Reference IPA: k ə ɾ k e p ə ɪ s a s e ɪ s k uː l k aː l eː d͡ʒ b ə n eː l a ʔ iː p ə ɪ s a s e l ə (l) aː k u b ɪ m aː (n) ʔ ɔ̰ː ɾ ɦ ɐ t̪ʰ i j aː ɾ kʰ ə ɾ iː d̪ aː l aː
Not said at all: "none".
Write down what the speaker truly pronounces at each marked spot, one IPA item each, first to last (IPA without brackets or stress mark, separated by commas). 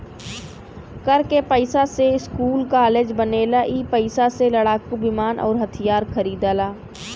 ɽ, n